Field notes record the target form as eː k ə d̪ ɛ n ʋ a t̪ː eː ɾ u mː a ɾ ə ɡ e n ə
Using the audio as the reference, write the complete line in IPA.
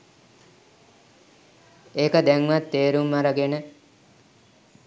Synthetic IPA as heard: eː k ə d̪ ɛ ŋ ʋ a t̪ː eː ɾ u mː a ɾ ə ɡ e n ə